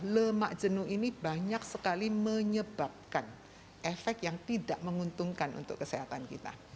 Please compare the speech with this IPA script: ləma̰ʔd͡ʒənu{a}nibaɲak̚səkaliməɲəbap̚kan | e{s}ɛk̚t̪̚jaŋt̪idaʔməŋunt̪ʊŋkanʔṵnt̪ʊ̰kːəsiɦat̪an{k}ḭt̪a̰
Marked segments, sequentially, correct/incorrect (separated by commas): incorrect, incorrect, correct